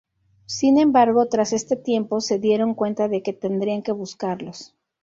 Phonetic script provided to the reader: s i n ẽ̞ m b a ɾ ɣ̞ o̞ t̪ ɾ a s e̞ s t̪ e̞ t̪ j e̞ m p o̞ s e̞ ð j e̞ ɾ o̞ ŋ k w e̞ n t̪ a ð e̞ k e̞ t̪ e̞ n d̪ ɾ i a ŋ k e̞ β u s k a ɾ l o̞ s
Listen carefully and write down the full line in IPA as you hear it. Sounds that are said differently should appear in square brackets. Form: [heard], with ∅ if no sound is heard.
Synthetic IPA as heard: s i n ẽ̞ m b a ɾ ɣ̞ o̞ t̪ ɾ a s e̞ s t̪ e̞ t̪ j e̞ m p o̞ s e̞ ð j e̞ ɾ o̞ ŋ k w e̞ n t̪ a ð e̞ k e̞ t̪ e̞ n d̪ ɾ i a ŋ k e̞ β u s k a ɾ l o̞ s